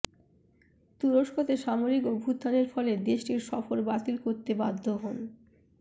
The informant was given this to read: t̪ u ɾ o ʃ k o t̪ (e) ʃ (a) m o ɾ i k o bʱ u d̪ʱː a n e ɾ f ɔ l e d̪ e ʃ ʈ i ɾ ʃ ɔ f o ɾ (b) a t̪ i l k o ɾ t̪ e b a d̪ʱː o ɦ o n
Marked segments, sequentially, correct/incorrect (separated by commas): correct, correct, correct